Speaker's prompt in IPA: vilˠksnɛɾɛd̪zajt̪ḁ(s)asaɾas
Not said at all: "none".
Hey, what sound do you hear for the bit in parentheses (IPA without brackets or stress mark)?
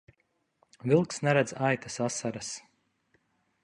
s